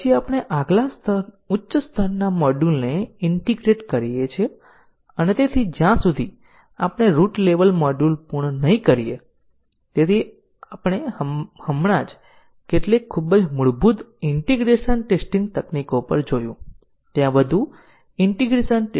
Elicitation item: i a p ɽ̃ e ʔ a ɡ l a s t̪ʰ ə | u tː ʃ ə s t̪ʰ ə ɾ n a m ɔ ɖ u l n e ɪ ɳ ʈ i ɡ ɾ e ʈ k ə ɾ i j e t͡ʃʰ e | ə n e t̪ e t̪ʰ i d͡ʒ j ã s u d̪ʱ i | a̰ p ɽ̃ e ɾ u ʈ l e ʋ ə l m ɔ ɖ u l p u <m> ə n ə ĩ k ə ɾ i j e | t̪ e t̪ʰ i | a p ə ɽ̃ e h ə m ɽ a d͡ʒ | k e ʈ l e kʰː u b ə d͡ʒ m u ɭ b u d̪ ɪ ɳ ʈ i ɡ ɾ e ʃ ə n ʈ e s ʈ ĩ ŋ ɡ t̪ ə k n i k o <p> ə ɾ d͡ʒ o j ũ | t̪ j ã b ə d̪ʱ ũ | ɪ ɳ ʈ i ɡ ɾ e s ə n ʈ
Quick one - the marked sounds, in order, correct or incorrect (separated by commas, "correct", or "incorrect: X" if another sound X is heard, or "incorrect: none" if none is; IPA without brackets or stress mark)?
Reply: incorrect: ɳ, correct